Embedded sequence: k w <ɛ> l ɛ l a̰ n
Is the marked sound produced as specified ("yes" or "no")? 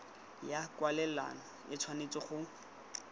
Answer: no